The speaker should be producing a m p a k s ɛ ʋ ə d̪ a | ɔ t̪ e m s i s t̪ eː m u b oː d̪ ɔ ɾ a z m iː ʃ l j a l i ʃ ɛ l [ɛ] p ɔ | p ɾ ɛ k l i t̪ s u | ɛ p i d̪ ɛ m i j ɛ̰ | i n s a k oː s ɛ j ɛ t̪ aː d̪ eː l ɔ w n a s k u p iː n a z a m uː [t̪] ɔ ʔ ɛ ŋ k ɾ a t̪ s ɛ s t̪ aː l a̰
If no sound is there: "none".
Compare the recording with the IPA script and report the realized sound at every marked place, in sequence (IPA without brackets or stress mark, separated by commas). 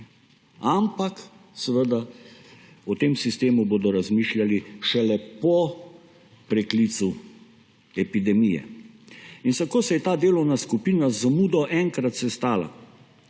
ɛ, d̪